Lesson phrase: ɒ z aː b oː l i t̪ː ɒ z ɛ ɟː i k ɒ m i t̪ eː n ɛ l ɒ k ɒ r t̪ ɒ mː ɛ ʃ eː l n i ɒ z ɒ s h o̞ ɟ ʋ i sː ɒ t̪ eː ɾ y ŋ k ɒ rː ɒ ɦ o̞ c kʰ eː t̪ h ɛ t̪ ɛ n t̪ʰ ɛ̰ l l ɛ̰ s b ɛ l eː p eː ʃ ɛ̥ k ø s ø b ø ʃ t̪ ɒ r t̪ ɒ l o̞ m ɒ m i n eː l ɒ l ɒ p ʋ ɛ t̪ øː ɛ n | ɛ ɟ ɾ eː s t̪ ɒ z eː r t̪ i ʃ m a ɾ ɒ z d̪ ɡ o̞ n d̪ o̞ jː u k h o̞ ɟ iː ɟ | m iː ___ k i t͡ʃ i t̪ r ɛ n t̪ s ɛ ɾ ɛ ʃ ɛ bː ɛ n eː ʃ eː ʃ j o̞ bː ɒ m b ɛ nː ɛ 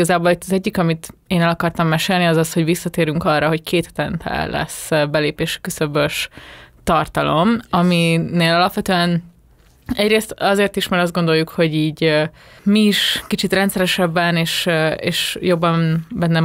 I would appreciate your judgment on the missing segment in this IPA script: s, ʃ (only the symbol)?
ʃ